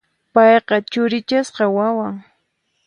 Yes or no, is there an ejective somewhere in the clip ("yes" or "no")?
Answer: no